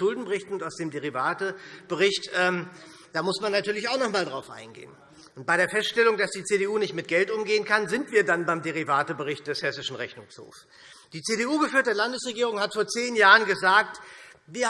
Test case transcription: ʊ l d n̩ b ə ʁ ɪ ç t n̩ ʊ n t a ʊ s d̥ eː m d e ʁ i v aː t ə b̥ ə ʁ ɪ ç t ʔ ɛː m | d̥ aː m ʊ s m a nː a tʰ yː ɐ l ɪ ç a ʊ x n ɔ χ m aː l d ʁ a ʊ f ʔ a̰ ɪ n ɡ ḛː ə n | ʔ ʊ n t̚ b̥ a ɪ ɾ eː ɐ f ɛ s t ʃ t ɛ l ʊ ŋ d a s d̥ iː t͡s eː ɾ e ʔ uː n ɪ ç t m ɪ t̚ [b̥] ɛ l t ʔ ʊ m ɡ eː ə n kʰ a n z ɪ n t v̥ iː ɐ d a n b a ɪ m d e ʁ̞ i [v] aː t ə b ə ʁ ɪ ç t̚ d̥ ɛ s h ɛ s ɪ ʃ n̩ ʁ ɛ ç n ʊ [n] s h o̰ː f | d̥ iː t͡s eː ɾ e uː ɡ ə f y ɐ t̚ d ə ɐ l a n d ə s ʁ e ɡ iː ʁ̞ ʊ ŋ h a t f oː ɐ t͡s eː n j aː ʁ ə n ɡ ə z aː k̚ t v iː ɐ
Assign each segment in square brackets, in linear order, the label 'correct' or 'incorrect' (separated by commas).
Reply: incorrect, correct, incorrect